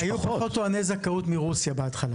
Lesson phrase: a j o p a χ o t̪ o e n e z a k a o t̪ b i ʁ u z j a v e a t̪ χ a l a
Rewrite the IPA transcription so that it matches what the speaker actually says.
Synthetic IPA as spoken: a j u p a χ o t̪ o a n e z a k a u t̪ m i ʁ u s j a b e a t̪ χ a l a